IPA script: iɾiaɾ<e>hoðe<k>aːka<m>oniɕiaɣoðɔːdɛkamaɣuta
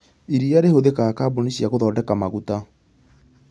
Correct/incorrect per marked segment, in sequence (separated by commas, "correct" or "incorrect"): correct, correct, incorrect